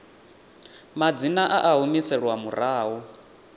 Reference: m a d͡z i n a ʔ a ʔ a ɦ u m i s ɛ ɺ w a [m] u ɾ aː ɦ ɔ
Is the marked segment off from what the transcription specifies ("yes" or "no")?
no